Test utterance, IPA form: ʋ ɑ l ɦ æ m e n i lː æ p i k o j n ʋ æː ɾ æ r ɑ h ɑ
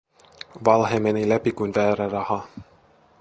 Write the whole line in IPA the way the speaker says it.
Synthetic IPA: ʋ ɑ l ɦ e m e n i l æ p i k u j n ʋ æː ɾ æ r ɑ h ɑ